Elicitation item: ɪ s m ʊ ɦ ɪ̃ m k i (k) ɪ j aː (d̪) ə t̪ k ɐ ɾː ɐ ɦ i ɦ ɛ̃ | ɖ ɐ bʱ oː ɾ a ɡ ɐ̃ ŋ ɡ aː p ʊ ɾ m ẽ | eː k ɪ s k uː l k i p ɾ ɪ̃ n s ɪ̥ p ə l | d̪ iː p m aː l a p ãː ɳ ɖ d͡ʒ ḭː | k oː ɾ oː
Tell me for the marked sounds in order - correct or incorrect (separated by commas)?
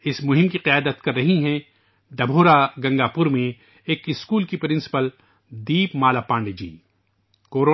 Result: incorrect, correct